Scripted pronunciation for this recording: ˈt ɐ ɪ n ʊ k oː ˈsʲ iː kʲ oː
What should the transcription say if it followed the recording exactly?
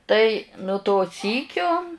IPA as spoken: ˈt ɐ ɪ n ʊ t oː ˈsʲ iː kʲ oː